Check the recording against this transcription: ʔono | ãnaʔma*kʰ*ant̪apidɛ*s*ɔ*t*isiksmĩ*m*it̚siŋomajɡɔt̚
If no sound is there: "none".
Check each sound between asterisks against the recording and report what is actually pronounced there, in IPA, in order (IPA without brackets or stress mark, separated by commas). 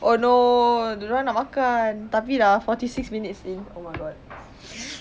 k, f, t, n